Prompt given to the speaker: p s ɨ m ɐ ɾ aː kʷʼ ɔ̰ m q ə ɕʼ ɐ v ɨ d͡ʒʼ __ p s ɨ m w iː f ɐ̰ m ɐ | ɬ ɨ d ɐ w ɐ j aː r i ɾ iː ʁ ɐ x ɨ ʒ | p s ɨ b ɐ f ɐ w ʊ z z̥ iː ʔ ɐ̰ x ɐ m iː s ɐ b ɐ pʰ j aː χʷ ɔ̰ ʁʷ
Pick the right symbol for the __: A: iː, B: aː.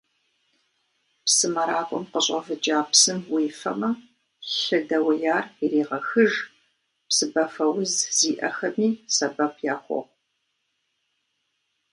B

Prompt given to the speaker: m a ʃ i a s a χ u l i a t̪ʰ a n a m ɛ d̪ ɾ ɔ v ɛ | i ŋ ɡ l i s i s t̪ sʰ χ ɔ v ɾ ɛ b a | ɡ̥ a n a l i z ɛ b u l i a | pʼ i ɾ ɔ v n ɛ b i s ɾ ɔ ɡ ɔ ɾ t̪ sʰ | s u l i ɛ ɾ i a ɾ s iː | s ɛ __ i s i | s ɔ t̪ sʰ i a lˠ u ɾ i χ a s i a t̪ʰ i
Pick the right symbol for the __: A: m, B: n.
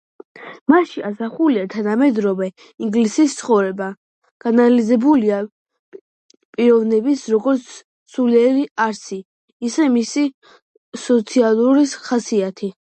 A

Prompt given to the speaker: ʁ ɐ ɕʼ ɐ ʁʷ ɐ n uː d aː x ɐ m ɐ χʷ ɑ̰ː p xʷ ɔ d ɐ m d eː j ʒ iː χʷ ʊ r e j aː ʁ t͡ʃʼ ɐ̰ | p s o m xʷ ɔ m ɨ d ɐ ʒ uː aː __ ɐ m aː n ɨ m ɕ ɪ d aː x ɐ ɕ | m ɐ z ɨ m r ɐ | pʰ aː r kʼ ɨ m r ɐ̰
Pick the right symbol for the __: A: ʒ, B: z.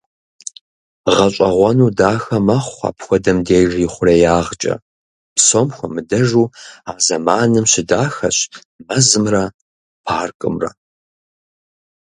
B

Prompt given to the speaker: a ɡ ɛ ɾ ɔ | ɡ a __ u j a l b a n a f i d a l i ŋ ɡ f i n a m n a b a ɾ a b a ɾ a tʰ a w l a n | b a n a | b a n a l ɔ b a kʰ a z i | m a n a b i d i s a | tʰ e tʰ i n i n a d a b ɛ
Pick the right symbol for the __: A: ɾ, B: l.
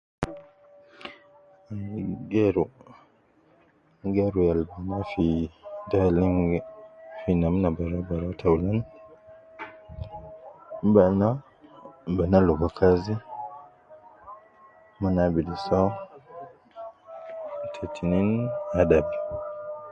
A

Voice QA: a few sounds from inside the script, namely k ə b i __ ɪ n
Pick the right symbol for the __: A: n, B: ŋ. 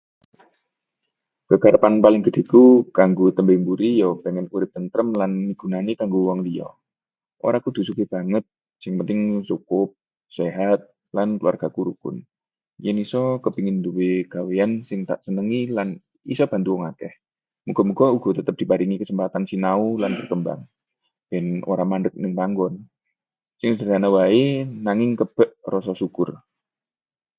B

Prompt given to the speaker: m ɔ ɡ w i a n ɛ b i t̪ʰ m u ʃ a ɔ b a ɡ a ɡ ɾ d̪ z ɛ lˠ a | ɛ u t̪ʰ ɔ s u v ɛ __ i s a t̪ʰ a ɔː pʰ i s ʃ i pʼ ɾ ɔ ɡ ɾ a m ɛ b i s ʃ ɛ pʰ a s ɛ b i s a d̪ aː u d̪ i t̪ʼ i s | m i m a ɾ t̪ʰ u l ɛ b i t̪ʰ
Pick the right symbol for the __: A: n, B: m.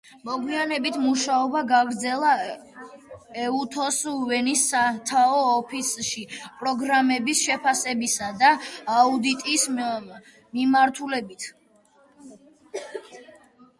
A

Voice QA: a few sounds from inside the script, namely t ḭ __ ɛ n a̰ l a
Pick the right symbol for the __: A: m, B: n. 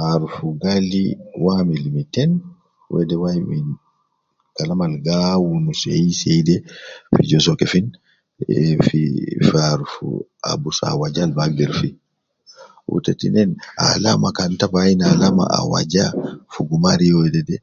B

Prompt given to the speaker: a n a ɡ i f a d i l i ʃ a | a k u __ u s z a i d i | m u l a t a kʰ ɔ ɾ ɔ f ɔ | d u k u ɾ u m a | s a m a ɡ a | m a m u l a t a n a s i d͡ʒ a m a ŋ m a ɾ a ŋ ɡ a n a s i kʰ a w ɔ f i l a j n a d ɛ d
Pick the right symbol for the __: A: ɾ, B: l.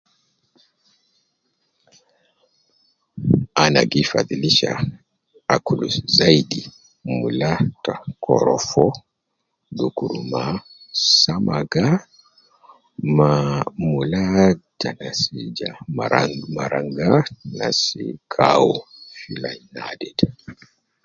B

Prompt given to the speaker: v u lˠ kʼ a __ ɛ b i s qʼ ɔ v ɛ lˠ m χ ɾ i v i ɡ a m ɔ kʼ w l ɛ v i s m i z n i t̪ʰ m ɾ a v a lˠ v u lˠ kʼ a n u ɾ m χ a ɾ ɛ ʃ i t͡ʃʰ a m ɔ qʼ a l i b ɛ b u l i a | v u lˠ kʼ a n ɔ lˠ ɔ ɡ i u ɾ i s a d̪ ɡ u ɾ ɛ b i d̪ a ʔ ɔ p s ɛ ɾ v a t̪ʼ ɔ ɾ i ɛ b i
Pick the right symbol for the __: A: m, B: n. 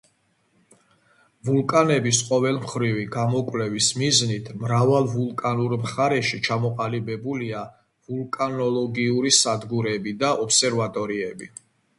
B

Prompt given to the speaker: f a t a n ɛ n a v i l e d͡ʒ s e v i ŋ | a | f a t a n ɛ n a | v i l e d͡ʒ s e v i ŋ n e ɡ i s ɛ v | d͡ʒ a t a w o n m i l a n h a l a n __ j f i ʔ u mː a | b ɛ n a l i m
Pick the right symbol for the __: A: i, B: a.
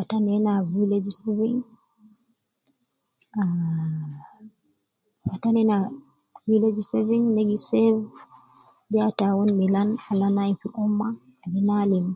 B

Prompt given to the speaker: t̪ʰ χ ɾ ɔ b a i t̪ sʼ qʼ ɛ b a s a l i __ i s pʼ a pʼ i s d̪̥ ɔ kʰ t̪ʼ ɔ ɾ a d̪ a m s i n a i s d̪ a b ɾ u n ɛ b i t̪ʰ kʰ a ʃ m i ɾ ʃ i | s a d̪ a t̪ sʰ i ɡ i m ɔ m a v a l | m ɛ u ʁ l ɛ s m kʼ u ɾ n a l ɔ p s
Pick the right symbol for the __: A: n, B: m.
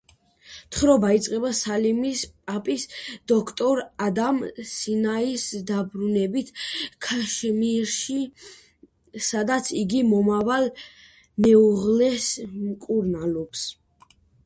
B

